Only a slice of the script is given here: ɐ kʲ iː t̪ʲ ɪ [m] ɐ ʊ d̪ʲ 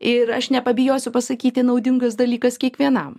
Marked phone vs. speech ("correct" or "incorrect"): incorrect